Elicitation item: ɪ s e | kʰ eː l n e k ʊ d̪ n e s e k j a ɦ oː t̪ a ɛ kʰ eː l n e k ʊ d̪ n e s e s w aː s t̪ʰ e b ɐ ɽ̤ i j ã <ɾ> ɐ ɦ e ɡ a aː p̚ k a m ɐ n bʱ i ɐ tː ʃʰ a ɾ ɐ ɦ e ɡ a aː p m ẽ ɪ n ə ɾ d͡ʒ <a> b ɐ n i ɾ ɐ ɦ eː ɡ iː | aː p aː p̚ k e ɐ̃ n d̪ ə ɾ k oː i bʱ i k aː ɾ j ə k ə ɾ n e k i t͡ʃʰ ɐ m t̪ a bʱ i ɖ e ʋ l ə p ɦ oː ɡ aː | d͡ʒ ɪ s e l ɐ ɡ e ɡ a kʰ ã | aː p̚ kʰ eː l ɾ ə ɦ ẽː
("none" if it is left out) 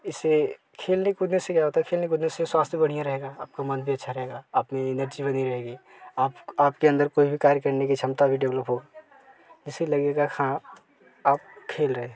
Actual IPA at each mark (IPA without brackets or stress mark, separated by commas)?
ɾ, i